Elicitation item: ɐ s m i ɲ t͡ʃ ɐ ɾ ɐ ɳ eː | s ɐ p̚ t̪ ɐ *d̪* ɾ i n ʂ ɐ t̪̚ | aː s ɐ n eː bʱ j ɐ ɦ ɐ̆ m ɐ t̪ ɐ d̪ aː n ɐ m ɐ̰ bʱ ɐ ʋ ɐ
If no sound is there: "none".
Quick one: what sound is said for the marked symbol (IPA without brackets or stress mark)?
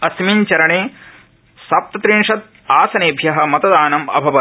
t̪